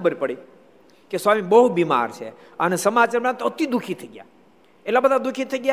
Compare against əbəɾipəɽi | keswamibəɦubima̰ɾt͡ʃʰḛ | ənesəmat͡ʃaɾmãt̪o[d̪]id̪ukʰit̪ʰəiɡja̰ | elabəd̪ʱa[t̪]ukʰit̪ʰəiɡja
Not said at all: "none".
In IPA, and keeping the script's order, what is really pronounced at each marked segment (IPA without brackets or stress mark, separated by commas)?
t̪, d̪